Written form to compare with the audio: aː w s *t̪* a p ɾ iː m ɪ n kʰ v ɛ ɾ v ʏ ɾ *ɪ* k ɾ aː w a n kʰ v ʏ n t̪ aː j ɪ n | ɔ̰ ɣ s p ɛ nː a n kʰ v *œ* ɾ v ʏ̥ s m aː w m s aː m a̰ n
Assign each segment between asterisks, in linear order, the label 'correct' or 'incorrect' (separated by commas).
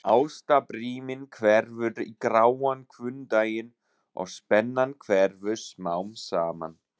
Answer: correct, incorrect, incorrect